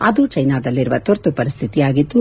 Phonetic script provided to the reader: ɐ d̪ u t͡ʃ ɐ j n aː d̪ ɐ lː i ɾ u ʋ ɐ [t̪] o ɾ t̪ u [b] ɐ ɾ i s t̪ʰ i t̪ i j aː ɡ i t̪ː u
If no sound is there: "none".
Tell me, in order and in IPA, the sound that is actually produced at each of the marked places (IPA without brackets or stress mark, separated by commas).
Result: t̪, p